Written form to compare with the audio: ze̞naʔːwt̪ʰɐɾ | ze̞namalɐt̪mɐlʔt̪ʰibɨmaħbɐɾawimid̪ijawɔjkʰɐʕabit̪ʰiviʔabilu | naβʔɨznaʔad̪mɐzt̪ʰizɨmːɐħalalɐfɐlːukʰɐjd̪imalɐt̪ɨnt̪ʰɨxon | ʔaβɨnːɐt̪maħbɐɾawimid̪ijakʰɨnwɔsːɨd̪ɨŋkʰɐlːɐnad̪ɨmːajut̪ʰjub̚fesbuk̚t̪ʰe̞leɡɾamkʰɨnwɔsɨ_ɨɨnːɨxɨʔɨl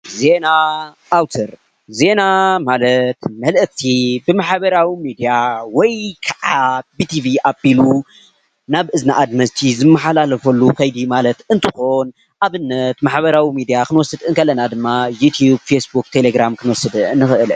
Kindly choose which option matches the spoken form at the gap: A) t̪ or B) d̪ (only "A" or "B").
B